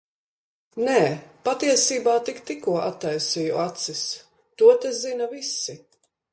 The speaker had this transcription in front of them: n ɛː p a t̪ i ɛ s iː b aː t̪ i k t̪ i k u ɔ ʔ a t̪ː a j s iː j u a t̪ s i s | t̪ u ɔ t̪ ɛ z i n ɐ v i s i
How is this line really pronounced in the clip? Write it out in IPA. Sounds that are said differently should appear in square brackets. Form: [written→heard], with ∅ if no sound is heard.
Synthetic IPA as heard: n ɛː p a t̪ i ɛ s iː b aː t̪ i k t̪ i k u ɔ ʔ a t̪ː a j s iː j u a t̪ s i s | t̪ u ɔ t̪ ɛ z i n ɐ v i s i